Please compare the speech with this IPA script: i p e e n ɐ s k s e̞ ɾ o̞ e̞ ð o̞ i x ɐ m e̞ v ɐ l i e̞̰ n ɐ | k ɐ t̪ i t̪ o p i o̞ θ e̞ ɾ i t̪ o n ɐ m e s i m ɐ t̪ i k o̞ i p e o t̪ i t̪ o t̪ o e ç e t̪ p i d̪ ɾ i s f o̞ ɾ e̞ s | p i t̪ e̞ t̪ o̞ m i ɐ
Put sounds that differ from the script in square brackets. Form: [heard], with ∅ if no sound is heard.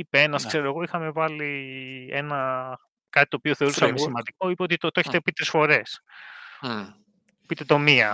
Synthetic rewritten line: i p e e n ɐ s k s e̞ ɾ o̞ e̞ [ɣ] o̞ i x ɐ m e̞ v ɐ l i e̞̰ n ɐ | k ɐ t̪ i t̪ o p i o̞ θ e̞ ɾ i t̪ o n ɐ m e s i m ɐ [d̪] i k o̞ i p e o t̪ i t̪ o t̪ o e ç e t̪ p i [t̪] ɾ i s f o̞ ɾ e̞ s | p i t̪ e̞ t̪ o̞ m i ɐ